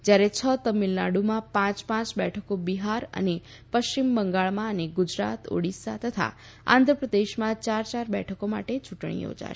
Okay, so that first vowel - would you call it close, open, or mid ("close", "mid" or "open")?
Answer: open